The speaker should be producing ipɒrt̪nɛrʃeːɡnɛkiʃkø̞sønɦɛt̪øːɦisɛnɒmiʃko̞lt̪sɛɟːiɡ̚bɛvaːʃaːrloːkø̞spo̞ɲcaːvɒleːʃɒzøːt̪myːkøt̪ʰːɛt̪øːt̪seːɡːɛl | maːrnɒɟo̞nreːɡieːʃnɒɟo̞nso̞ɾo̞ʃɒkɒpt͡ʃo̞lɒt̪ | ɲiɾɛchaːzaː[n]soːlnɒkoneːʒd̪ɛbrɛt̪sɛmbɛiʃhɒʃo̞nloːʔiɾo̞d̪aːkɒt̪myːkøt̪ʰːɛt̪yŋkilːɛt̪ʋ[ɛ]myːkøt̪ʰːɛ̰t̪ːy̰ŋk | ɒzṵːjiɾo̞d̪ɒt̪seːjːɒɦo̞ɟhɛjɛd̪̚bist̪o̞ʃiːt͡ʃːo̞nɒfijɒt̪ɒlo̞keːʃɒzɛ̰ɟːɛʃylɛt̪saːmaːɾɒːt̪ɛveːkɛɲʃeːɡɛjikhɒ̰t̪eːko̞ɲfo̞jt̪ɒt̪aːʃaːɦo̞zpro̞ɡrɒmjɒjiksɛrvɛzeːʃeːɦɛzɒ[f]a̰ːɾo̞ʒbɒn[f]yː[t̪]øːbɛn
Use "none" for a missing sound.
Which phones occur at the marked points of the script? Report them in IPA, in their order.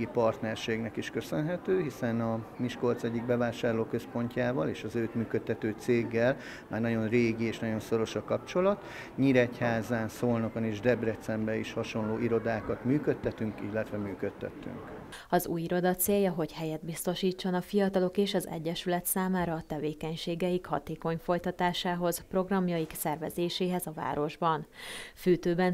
n, ɛ, v, f, t̪

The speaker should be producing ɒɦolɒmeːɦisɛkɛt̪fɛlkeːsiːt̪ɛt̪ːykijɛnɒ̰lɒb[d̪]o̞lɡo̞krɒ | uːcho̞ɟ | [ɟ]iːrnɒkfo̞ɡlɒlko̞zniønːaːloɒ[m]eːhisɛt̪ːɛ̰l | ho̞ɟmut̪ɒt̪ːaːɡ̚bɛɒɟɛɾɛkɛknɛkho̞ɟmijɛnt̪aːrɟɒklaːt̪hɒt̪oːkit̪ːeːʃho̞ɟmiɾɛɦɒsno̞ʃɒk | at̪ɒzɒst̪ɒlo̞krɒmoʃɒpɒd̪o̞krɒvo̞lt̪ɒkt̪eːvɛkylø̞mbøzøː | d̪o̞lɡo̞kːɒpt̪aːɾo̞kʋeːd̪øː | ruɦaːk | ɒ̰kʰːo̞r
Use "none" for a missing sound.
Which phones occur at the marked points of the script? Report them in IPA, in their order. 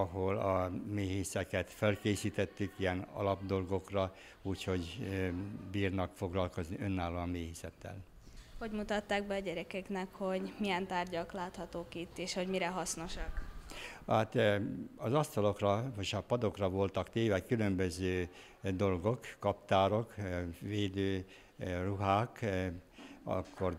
d̪, b, m

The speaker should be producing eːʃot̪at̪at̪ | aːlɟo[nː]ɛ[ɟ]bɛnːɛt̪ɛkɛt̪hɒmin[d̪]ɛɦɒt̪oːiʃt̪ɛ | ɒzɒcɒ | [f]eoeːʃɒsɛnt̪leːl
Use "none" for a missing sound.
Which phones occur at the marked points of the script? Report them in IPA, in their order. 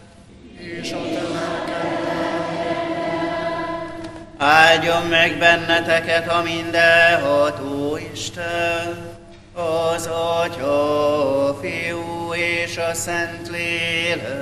mː, ɡ, d̪, f

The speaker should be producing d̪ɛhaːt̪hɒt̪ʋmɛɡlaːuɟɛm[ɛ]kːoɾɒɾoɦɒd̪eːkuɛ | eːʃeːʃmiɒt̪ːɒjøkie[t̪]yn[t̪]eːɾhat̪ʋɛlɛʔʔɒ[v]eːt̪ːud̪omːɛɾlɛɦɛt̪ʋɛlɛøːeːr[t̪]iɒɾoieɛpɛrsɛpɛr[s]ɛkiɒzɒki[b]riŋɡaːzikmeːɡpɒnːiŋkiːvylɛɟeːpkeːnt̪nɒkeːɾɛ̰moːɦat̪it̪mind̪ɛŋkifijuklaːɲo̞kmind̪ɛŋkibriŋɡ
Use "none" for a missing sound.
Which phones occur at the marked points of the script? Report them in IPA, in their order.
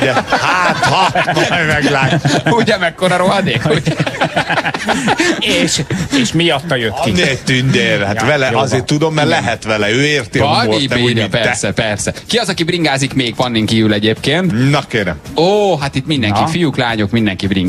ɛ, t̪, d̪, z, t̪, s, b

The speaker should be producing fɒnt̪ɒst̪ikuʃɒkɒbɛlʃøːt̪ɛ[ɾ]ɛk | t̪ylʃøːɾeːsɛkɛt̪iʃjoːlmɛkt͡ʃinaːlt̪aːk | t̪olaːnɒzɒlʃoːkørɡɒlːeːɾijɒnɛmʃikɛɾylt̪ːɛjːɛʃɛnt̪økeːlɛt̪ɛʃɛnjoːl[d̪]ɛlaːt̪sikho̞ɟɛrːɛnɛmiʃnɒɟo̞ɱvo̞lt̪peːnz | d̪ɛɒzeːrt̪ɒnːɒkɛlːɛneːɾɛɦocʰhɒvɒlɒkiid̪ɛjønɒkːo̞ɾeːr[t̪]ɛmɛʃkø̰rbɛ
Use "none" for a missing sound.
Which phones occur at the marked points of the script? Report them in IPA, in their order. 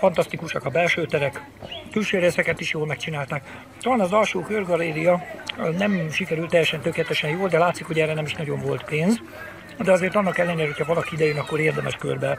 ɾ, d̪, d̪

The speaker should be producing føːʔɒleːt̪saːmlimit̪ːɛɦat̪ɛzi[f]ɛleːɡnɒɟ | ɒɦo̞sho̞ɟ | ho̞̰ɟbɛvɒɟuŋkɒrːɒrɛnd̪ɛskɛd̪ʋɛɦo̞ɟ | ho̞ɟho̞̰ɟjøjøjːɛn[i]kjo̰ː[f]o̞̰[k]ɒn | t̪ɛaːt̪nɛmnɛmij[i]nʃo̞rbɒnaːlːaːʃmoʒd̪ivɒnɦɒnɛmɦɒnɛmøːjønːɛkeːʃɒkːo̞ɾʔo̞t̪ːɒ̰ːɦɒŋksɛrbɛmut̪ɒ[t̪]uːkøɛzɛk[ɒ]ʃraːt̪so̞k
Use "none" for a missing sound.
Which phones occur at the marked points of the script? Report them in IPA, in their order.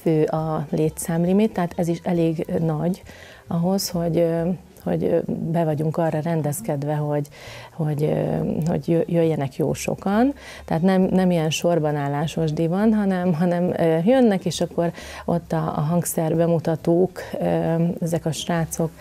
ʃ, ɛ, ʃ, k, ɛ, t̪, ɒ

